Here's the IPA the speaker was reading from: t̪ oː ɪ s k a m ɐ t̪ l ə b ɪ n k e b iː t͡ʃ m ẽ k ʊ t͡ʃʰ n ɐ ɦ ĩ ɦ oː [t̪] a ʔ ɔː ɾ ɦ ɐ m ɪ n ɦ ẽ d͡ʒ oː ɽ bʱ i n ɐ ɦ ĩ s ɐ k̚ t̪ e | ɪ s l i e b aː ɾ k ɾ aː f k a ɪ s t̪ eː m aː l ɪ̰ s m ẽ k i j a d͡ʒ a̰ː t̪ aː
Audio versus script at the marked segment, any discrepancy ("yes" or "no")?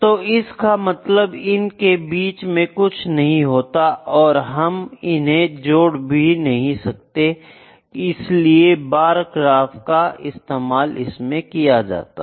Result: no